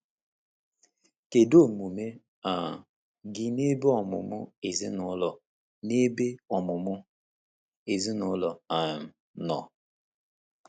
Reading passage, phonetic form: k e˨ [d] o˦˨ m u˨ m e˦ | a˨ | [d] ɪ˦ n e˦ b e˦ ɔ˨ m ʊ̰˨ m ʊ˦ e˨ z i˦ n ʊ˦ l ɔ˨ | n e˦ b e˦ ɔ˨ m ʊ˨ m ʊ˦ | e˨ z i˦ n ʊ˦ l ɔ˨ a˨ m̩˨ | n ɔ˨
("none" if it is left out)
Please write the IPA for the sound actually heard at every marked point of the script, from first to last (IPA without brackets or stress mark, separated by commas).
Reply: d, ɡ